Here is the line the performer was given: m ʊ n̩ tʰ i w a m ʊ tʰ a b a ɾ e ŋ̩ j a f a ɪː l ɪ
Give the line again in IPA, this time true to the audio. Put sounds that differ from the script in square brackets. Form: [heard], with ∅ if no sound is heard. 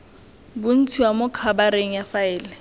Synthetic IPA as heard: [b] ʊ n̩ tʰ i w a m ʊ [kʰ] a b a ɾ e ŋ̩ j a f a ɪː l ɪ